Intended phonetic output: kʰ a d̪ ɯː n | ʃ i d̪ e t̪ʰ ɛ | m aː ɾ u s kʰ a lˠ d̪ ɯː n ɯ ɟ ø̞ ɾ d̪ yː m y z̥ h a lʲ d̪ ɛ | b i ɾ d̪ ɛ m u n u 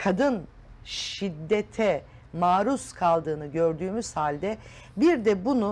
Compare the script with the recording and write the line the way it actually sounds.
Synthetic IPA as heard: kʰ a d̪ ɯ n | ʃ i d̪ː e t̪ʰ ɛ | m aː ɾ u s kʰ a lˠ d̪ ɯː n ɯ ɟ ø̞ ɾ d̪ yː m y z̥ h a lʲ d̪ ɛ | b i ɾ d̪ ɛ b u n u